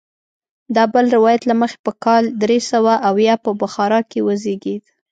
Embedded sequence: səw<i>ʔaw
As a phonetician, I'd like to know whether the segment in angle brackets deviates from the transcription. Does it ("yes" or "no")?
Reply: yes